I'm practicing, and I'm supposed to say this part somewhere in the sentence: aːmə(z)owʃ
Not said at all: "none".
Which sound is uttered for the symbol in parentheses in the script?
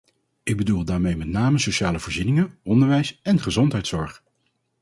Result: s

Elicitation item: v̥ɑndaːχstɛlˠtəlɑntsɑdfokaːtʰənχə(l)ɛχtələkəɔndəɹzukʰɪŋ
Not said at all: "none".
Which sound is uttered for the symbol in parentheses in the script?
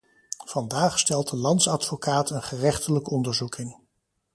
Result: r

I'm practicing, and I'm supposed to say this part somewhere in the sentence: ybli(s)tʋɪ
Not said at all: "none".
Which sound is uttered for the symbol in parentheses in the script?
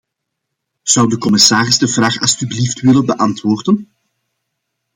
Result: f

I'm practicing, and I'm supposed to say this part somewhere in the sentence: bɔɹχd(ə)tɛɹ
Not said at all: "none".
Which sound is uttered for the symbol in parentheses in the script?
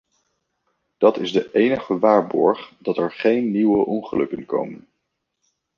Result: ɑ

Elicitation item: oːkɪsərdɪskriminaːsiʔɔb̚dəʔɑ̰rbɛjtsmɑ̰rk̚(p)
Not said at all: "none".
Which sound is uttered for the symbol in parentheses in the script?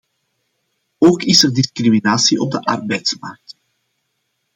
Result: t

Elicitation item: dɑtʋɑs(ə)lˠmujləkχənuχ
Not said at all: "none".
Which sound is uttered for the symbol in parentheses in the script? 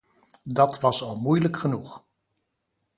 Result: ɑ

